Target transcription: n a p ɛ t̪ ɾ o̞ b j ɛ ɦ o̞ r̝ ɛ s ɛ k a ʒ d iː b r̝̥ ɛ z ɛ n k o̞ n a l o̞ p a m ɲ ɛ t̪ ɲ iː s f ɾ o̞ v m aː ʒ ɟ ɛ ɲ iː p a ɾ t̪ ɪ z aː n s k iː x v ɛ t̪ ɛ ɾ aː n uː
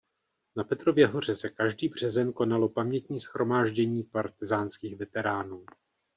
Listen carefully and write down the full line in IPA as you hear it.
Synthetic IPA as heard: n a p ɛ t̪ ɾ o̞ v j ɛ ɦ o̞ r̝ ɛ s ɛ k a ʒ d iː b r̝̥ ɛ z ɛ n k o̞ n a l o̞ p a m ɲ ɛ t̪ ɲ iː s x ɾ o̞ m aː ʒ ɟ ɛ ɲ iː p a ɾ t̪ ɪ z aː n s k iː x v ɛ t̪ ɛ ɾ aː n uː

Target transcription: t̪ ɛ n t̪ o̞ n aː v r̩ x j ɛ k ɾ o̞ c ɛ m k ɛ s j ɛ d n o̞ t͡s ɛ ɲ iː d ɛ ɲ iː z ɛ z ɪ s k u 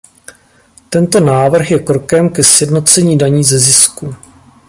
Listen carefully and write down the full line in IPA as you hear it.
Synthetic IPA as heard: t̪ ɛ n t̪ o̞ n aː v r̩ x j ɛ k ɾ o̞ k ɛ m k ɛ s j ɛ d n o̞ t͡s ɛ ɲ iː d a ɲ iː z ɛ z ɪ s k u

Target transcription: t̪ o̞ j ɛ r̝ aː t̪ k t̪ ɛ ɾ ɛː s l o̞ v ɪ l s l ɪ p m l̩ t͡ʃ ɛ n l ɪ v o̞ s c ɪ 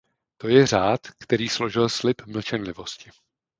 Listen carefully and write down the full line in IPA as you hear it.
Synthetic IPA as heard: t̪ o̞ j ɛ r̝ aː t̪ k t̪ ɛ ɾ iː s l o̞ ʒ ɪ l s l ɪ p m l̩ t͡ʃ ɛ n l ɪ v o̞ s c ɪ

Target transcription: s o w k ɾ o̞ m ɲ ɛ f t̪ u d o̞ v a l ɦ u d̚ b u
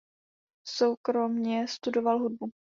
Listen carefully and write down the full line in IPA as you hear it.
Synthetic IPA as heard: s o w k ɾ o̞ m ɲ ɛ s t̪ u d o̞ v a l ɦ u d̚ b u

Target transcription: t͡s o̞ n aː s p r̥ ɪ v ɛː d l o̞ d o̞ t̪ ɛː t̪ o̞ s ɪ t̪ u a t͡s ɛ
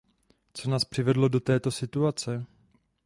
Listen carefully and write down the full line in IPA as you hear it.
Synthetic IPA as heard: t͡s o̞ n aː s p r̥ ɪ v ɛ d l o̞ d o̞ t̪ ɛː t̪ o̞ s ɪ t̪ u a t͡s ɛ

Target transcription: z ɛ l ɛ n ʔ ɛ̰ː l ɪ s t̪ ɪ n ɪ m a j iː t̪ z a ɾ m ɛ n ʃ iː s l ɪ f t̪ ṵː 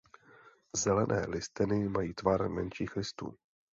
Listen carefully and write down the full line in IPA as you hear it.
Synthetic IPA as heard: z ɛ l ɛ n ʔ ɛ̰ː l ɪ s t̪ ɪ n ɪ m a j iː t̪ v a ɾ m ɛ n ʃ iː x l ɪ s t̪ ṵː

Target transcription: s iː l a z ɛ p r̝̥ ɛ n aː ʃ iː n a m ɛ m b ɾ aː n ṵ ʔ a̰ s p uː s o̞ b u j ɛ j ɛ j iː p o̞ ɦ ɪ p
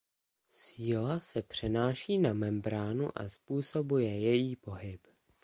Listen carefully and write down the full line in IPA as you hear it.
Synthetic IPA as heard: s iː l a s ɛ p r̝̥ ɛ n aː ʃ iː n a m ɛ m b ɾ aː n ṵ ʔ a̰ s p uː s o̞ b u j ɛ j ɛ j iː p o̞ ɦ ɪ p

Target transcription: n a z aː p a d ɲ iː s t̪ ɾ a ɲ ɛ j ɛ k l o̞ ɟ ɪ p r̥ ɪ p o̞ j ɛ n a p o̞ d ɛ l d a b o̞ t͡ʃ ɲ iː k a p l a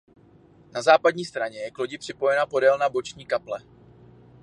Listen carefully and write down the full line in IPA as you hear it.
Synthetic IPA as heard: n a z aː p a d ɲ iː s t̪ ɾ a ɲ ɛ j ɛ k l o̞ ɟ ɪ p r̥ ɪ p o̞ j ɛ n a p o̞ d ɛ l n a b o̞ t͡ʃ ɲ iː k a p l ɛ

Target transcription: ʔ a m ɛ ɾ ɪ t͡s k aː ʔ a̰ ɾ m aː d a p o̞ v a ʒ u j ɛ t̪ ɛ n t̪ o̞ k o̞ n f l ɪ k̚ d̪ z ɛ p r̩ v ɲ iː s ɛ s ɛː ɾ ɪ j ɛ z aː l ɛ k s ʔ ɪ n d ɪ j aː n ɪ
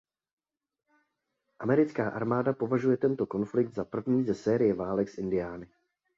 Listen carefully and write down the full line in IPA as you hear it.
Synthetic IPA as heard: ʔ a m ɛ ɾ ɪ t͡s k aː ʔ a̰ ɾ m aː d a p o̞ v a ʒ u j ɛ t̪ ɛ n t̪ o̞ k o̞ n f l ɪ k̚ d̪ z a p r̩ v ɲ iː z ɛ s ɛː ɾ ɪ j ɛ v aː l ɛ k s ʔ ɪ n d ɪ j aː n ɪ

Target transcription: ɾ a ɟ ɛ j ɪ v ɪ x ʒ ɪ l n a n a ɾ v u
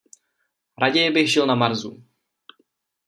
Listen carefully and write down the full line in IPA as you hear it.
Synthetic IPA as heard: ɾ a ɟ ɛ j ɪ b ɪ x ʒ ɪ l n a m a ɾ z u

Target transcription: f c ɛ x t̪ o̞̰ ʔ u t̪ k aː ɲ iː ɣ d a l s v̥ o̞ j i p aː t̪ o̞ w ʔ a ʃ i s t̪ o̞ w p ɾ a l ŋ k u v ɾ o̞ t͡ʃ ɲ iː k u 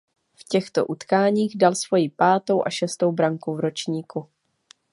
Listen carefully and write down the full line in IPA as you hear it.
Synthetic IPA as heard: f c ɛ x t̪ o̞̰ ʔ u t̪ k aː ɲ iː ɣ d a l s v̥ o̞ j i p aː t̪ o̞ w ʔ a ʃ ɛ s t̪ o̞ w b ɾ a ŋ k u v ɾ o̞ t͡ʃ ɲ iː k u

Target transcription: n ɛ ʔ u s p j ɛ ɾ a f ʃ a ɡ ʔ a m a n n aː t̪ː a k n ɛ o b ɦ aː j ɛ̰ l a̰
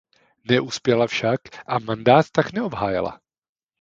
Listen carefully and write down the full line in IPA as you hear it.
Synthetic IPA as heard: n ɛ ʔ u s p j ɛ l a f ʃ a k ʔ a m a n d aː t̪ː a k n ɛ o b ɦ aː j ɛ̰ l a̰

